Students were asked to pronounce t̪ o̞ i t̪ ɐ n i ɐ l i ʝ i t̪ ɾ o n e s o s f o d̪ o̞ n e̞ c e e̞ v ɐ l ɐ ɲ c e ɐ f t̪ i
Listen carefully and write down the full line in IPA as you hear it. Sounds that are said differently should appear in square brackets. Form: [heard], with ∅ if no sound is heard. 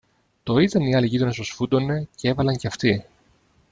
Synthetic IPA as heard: t̪ o̞ i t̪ ɐ n i ɐ l i ʝ i t̪ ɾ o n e s o s f [u] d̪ o̞ n e̞ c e e̞ v ɐ l ɐ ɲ c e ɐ f t̪ i